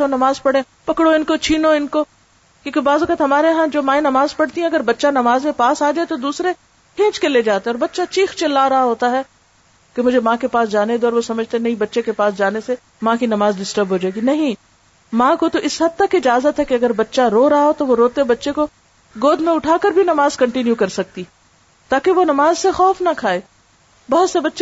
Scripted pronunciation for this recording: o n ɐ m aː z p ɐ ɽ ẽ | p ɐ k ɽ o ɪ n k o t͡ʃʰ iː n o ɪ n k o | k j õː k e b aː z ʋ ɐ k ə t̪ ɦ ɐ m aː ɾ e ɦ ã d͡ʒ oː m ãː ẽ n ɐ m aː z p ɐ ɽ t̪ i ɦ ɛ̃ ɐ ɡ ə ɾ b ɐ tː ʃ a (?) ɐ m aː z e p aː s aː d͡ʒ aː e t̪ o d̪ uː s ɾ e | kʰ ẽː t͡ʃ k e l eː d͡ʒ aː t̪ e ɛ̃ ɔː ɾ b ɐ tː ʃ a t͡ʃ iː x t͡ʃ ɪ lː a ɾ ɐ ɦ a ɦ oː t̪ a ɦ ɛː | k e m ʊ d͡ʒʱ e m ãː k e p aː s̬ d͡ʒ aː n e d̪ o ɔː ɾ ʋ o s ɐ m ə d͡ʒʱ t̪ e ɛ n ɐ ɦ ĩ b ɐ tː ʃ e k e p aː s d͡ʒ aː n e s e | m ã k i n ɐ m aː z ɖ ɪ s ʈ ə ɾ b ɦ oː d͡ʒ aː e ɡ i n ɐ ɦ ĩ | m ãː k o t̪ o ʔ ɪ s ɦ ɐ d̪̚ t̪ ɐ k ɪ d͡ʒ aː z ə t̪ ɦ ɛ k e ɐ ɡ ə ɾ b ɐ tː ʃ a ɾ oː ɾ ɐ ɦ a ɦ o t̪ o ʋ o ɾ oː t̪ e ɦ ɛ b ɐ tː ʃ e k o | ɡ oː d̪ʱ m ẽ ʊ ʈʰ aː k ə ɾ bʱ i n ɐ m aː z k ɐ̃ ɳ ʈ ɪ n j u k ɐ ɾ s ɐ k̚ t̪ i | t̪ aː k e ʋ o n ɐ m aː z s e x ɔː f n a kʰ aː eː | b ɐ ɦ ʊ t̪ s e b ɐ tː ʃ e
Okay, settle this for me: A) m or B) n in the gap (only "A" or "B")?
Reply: B